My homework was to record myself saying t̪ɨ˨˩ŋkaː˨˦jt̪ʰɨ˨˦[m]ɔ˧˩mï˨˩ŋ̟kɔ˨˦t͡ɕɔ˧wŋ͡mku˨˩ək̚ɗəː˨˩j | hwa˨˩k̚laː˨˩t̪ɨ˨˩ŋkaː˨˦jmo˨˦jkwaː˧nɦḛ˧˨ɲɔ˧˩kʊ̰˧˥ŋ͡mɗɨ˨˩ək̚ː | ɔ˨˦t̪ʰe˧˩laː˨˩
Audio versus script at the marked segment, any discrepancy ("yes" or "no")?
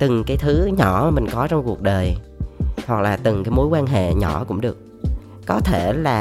yes